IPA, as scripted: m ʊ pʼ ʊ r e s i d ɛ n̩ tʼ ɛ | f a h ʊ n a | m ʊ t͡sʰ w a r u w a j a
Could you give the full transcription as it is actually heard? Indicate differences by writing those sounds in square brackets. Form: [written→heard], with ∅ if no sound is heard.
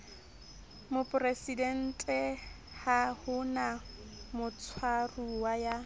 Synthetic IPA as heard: m ʊ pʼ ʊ r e s i d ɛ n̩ tʼ ɛ | [f→h] a h ʊ n a | m ʊ t͡sʰ w a r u w a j a